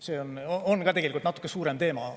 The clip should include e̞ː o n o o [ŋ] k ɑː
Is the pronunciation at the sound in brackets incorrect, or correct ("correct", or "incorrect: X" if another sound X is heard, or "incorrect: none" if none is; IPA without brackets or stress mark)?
incorrect: n